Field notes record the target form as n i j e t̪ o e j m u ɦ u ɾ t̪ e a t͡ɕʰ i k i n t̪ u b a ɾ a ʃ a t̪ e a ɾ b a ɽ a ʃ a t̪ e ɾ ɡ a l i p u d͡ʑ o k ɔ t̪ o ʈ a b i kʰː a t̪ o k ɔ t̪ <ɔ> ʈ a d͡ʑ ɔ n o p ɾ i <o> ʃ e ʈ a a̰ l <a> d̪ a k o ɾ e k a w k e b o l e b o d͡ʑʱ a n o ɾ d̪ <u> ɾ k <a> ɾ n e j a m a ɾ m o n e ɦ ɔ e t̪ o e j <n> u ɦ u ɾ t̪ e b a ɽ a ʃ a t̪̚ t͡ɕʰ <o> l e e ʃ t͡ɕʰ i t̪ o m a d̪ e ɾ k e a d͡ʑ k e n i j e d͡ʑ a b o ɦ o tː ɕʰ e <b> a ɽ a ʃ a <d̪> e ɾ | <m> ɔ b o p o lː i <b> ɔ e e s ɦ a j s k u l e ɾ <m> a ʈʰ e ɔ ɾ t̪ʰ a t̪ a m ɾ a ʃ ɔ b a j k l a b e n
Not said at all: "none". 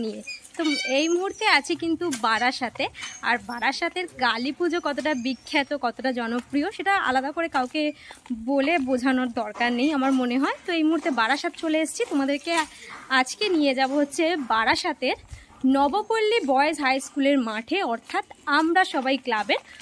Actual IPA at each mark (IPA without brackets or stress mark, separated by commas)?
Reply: o, o, a, ɔ, a, m, o, b, t̪, n, b, m